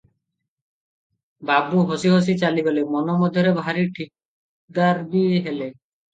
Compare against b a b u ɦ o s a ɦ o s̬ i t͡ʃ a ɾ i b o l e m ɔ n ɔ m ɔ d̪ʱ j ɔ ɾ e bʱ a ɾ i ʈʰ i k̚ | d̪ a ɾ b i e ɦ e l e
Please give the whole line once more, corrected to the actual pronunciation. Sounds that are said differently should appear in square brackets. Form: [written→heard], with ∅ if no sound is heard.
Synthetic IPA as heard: b a b u ɦ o s [a→i] ɦ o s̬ i t͡ʃ a [ɾ→l] i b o l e m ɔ n ɔ m ɔ d̪ʱ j ɔ ɾ e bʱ a ɾ i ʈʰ i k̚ | d̪ a ɾ b i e ɦ e l e